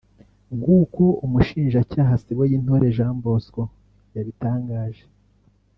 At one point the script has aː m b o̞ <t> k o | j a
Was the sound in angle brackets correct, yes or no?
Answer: no